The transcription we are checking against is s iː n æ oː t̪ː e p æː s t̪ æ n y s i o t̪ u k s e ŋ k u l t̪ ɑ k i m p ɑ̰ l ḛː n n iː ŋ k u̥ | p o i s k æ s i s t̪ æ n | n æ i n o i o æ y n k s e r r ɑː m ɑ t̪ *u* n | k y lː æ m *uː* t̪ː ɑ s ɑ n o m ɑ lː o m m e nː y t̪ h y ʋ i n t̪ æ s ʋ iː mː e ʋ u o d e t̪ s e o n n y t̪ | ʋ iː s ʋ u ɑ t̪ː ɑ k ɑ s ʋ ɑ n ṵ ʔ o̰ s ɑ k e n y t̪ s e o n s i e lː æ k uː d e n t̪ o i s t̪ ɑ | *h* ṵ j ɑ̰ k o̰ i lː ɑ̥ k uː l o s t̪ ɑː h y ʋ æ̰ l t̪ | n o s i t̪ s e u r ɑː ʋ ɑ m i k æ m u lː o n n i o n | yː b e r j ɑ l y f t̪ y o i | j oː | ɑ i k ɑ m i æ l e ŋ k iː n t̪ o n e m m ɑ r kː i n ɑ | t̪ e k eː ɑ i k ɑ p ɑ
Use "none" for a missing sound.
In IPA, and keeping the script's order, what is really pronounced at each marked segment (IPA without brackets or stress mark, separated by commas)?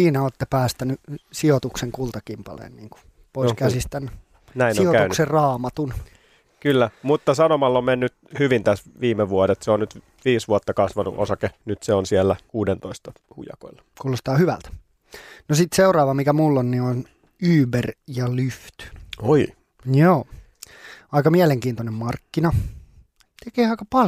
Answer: u, u, h